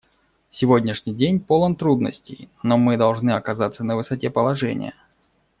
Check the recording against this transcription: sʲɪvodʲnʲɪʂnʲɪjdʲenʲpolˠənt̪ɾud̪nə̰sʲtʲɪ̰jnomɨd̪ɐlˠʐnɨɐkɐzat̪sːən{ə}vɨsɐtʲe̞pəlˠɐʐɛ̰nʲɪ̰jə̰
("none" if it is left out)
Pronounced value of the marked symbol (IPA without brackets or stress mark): ə